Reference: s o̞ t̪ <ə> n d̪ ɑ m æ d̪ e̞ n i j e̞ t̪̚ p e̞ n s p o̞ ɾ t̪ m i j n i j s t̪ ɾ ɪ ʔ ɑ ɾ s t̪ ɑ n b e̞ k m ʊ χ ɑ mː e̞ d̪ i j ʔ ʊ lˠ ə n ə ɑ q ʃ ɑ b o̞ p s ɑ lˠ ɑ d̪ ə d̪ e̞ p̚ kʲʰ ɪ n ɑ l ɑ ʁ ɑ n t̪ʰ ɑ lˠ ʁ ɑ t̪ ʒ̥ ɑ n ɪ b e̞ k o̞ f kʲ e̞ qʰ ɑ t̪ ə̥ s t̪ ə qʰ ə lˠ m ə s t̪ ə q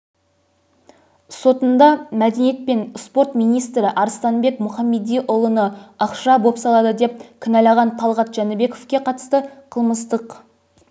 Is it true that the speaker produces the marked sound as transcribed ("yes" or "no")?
yes